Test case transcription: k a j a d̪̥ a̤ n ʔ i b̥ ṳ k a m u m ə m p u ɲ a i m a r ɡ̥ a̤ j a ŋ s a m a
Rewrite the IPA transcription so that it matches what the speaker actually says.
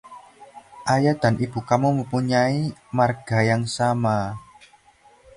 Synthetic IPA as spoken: ʔ a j a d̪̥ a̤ n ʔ i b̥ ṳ k a m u m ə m p u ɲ a i m a r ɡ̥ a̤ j a ŋ s a m a